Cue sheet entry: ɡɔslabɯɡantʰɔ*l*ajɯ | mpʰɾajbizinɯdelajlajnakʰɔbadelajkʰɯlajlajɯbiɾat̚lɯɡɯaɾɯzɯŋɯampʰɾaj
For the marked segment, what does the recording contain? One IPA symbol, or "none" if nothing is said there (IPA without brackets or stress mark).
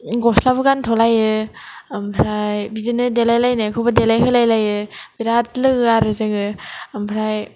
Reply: l